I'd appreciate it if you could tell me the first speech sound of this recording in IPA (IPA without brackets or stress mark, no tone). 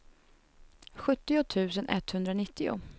ɧ